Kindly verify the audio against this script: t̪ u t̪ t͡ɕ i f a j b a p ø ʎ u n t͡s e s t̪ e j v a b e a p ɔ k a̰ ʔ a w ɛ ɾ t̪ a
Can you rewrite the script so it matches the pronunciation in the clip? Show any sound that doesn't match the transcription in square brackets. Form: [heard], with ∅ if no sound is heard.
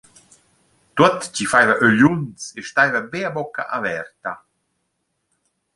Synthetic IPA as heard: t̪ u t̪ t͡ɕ i f a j [v] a [ʔ] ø ʎ u n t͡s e [ʃ] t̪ [a] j v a b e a [b] ɔ k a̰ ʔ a [v] ɛ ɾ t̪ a